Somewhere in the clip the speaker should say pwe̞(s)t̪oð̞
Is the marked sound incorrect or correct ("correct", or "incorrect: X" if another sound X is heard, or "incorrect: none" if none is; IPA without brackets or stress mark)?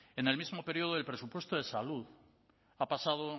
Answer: correct